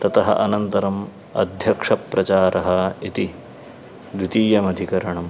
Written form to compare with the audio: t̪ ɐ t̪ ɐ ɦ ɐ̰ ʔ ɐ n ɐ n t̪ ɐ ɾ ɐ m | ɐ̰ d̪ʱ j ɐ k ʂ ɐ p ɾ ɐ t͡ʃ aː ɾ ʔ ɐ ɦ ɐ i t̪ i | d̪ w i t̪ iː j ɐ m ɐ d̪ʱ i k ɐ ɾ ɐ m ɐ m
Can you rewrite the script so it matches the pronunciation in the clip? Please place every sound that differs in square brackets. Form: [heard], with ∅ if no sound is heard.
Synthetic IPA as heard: t̪ ɐ t̪ ɐ ɦ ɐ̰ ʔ ɐ n ɐ n t̪ ɐ ɾ ɐ m | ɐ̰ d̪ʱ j ɐ k ʂ ɐ p ɾ ɐ t͡ʃ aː ɾ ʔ ɐ ɦ ɐ i t̪ i | d̪ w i t̪ iː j ɐ m ɐ d̪ʱ i k ɐ ɾ ɐ [ɳ] ɐ m